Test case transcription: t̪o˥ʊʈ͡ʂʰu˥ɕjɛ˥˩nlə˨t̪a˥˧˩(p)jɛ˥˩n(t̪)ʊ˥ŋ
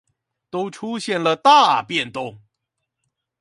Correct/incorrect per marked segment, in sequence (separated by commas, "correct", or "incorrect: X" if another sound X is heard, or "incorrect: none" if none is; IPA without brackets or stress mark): correct, correct